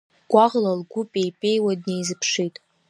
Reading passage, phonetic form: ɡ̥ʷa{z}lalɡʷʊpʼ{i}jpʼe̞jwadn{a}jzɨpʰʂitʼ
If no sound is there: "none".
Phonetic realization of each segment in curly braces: ʁ, e, e

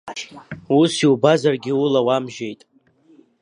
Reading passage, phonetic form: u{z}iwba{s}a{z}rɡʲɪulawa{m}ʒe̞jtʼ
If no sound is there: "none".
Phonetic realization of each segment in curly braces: s, z, none, m

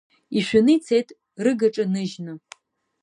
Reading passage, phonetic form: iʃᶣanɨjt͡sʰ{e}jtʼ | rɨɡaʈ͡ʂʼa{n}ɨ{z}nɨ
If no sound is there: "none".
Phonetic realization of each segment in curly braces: e, n, ʒ

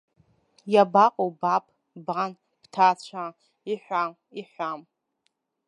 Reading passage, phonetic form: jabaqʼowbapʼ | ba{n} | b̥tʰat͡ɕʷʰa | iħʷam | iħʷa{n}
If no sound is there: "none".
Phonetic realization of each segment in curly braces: n, m

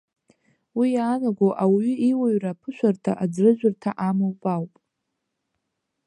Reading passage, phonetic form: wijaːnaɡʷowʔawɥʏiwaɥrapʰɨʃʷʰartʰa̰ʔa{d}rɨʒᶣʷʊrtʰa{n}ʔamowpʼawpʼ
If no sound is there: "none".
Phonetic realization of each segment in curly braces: d͡z, none

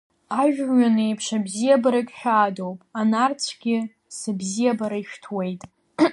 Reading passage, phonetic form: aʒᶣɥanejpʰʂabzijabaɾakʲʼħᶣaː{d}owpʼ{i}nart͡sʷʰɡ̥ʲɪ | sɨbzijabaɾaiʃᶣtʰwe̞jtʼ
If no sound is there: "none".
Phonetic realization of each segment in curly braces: d, a

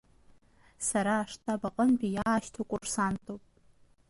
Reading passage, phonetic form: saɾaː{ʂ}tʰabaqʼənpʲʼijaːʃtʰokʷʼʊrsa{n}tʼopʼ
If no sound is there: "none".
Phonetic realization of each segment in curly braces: ʂ, n

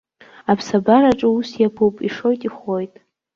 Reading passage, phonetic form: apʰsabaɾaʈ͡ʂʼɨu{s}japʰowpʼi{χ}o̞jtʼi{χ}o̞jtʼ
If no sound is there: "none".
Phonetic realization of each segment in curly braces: s, ʂ, χ

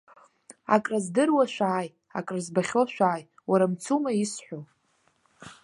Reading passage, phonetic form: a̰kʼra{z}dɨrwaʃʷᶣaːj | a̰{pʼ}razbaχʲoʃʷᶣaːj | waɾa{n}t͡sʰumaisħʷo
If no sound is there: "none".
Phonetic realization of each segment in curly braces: z, kʼ, m

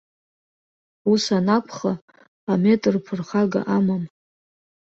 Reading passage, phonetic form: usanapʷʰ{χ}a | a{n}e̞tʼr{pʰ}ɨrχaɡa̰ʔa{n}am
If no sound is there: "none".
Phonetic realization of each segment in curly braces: χ, m, pʰ, m

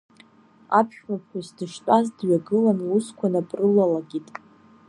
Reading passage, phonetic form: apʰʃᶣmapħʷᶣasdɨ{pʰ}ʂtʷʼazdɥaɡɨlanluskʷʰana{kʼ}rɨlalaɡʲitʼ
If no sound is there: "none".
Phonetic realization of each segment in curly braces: none, pʼ

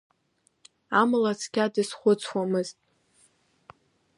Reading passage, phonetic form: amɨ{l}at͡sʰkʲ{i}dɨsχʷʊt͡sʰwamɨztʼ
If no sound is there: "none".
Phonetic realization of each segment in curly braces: l, a

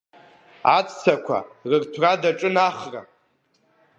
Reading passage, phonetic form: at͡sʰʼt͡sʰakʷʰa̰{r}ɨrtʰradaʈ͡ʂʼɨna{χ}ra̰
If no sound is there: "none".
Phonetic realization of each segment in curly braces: r, χ

